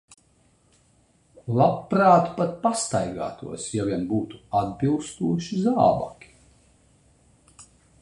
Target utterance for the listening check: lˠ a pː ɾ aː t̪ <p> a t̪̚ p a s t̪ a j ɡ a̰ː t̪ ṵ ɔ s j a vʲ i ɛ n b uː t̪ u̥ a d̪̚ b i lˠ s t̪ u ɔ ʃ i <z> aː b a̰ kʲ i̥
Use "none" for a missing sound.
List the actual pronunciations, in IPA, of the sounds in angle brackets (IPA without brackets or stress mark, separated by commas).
p, z